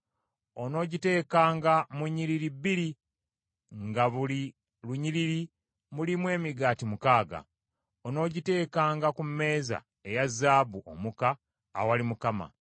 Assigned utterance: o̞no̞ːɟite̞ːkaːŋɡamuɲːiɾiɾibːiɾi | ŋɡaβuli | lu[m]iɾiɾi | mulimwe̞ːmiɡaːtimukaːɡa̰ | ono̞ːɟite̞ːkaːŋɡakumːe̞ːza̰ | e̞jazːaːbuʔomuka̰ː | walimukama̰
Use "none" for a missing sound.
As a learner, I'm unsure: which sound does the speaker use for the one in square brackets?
ɲ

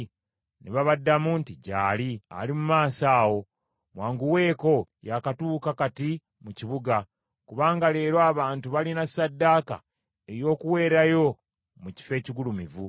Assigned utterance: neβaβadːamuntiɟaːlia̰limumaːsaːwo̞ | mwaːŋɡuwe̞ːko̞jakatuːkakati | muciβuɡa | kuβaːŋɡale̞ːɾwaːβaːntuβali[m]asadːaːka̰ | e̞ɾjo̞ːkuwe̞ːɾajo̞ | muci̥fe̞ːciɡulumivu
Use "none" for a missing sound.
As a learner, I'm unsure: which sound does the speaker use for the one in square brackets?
n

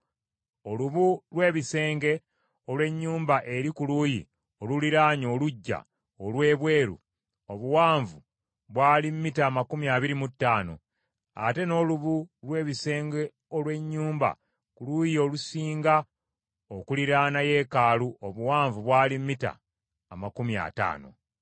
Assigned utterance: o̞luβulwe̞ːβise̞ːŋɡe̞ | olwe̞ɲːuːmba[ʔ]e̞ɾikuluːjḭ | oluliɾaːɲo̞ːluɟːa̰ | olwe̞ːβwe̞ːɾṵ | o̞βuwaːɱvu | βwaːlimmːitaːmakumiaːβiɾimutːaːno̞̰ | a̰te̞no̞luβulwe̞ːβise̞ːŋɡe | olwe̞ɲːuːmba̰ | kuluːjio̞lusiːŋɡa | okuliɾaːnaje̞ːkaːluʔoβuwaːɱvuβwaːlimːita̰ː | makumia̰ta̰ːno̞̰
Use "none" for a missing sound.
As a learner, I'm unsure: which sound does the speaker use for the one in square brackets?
ʔ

